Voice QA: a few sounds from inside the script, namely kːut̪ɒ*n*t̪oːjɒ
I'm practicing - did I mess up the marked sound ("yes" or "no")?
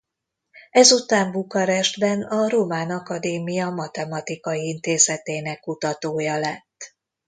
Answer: yes